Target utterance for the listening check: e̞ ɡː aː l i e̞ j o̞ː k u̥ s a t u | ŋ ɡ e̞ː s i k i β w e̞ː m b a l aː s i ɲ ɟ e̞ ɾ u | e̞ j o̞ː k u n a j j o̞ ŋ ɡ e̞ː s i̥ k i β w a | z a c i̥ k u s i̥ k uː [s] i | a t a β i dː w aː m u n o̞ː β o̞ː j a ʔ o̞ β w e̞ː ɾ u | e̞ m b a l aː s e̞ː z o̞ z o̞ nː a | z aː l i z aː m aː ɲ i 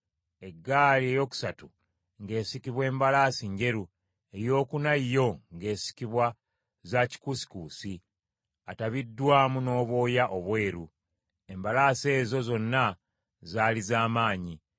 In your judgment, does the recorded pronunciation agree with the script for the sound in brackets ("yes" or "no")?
yes